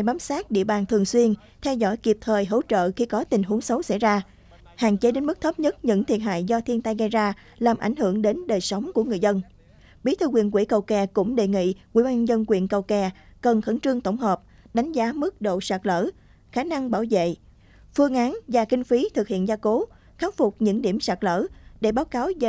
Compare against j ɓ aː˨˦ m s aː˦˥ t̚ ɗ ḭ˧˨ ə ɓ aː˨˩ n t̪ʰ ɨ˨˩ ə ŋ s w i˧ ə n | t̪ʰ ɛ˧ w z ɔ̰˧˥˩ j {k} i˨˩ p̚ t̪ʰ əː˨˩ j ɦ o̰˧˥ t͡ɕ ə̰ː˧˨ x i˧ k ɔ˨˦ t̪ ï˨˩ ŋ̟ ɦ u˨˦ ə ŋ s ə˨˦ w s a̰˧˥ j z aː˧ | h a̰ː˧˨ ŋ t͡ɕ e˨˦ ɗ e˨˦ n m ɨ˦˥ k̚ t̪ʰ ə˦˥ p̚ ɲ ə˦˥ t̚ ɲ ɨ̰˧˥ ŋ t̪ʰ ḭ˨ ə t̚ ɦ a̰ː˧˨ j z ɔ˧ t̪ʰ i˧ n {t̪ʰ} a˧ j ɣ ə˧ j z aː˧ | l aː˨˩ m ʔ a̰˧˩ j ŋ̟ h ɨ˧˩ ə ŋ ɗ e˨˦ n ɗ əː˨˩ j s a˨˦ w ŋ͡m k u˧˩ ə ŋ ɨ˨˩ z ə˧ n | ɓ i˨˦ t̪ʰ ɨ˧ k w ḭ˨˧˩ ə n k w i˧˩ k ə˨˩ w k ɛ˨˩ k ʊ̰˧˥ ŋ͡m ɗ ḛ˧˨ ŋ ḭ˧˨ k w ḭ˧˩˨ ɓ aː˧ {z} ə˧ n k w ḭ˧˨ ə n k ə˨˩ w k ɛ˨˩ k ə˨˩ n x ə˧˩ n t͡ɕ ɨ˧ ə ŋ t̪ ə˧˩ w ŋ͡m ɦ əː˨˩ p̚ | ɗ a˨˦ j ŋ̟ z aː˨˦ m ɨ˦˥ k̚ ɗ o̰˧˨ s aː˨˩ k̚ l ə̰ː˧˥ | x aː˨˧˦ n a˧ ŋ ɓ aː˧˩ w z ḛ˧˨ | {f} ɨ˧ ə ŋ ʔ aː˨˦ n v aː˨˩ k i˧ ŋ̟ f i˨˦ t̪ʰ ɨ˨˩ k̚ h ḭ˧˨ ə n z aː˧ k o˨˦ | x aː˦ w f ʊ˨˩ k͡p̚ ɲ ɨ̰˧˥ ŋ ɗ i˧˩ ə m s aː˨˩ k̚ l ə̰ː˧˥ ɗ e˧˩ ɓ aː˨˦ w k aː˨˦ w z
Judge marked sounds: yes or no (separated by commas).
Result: yes, no, yes, yes